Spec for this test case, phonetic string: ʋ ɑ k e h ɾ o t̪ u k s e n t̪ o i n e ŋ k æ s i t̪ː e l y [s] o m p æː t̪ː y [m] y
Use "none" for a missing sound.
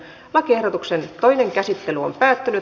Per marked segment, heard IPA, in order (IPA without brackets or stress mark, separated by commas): none, n